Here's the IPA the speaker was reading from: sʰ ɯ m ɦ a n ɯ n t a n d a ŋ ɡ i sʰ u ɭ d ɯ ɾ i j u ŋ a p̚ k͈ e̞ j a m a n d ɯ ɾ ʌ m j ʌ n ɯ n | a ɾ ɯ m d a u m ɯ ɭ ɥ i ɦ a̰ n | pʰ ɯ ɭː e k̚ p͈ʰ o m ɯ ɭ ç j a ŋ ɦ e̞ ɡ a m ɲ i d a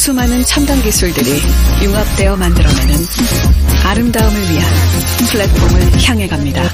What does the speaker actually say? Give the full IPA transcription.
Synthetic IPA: sʰ u m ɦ a n ɯ n t͡ɕʰ a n d a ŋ ɡ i sʰ u ɭ d ɯ ɾ i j u ŋ a p̚ t͈ e̞ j ʌ m a n d ɯ ɾ ʌ m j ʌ n ɯ n | a ɾ ɯ m d a ɯ m ɯ ɭ ɥ i ɦ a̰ n | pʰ ɯ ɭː e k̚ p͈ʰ o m ɯ ɭ ç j a ŋ ɦ e̞ ɡ a m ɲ i d a